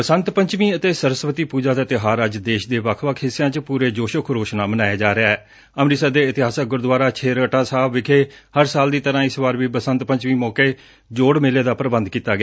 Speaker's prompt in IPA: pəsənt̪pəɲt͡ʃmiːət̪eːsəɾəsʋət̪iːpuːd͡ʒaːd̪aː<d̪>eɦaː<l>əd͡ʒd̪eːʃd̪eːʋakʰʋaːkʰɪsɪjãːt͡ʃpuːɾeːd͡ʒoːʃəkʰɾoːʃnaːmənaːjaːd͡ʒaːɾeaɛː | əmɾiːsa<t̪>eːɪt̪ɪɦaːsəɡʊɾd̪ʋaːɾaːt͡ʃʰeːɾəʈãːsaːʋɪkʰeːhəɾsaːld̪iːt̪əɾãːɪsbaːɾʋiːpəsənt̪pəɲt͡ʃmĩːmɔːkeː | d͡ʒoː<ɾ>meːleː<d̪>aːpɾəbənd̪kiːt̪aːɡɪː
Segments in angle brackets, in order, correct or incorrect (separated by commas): incorrect, incorrect, incorrect, incorrect, correct